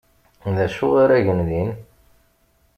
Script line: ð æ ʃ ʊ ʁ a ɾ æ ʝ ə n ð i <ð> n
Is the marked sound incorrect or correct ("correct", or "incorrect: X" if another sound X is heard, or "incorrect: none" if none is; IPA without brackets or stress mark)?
incorrect: none